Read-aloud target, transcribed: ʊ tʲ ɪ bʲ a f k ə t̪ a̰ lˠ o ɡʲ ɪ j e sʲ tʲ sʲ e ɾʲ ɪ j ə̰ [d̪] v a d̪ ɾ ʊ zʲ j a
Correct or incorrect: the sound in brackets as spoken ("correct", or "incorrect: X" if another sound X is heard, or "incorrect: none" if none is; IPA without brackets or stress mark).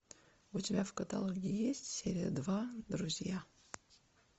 correct